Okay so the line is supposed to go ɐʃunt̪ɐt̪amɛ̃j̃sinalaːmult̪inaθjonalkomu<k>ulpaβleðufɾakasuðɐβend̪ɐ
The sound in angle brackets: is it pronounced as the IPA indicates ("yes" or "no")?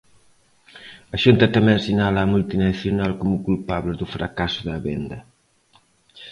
yes